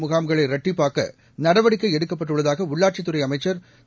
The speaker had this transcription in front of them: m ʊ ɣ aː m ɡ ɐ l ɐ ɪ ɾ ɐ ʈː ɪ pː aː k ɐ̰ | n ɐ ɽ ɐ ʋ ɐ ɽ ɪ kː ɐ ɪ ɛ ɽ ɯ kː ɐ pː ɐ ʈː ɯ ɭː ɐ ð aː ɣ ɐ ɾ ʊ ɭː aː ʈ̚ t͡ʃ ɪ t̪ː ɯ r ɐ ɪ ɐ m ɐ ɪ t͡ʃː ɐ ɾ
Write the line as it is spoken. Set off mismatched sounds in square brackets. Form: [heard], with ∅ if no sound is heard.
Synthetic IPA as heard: m ʊ ɣ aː m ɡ ɐ [ɭ] ɐ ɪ ɾ ɐ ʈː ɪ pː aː k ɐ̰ | n ɐ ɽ ɐ ʋ ɐ ɽ ɪ kː ɐ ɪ ɛ ɽ ɯ kː ɐ pː ɐ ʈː ɯ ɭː ɐ ð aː ɣ ɐ [∅] ʊ ɭː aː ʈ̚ t͡ʃ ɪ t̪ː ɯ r ɐ ɪ ɐ m ɐ ɪ t͡ʃː ɐ ɾ

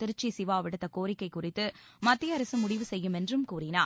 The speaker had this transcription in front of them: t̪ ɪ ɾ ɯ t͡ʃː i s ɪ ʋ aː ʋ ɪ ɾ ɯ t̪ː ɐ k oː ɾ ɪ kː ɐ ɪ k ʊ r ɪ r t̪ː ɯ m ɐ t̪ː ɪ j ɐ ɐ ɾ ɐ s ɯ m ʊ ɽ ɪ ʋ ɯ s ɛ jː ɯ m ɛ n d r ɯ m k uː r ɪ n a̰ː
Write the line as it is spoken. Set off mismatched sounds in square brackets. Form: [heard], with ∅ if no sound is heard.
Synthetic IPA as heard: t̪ ɪ ɾ ɯ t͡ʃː i s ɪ ʋ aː ʋ ɪ [ɽ] ɯ t̪ː ɐ k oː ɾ ɪ kː ɐ ɪ k ʊ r ɪ [∅] t̪ː ɯ m ɐ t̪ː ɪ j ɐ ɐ ɾ ɐ s ɯ m ʊ ɽ ɪ ʋ ɯ s ɛ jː ɯ m ɛ n d r ɯ m k uː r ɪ n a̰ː

